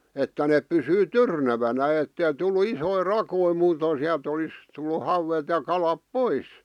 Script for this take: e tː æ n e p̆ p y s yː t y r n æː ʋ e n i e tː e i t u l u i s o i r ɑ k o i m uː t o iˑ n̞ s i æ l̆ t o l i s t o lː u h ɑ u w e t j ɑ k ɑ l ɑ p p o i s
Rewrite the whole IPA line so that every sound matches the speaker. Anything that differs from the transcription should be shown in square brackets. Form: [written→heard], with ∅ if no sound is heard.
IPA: e tː æ n e p̆ p y s yː t y r n [æː→æ] ʋ [e→æ] n [i→æ] e tː e i t u [l→lː] u i s o i r ɑ k o i m uː t o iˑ n̞ s i æ l̆ t o l i s t [o→u] lː u h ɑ u w e t j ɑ k ɑ l ɑ p p o i s